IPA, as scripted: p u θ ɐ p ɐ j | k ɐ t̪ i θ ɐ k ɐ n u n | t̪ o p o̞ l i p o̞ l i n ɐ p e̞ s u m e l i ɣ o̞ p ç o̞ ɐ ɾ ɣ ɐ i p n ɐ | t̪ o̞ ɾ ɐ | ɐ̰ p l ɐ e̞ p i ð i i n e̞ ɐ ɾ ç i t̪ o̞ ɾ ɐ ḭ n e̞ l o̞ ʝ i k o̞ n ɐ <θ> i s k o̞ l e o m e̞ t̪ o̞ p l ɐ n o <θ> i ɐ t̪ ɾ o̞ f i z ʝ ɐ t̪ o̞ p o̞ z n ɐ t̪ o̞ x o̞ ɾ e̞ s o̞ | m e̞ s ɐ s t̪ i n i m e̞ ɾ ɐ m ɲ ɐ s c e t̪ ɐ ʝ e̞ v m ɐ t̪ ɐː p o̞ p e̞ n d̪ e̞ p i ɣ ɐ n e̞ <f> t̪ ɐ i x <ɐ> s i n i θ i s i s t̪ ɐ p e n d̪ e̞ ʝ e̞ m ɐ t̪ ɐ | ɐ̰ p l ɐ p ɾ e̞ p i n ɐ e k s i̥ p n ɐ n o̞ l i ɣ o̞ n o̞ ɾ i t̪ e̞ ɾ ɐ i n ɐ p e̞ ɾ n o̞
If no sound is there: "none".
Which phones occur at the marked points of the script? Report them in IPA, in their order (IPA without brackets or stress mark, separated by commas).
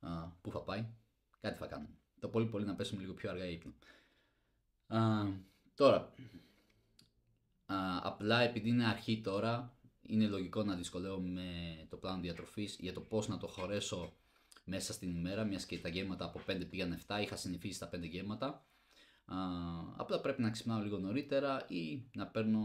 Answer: ð, ð, f, ɐ